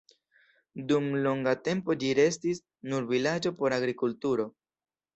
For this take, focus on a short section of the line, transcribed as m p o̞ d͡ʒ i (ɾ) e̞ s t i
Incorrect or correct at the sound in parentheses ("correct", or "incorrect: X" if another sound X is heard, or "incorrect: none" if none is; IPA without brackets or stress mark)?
correct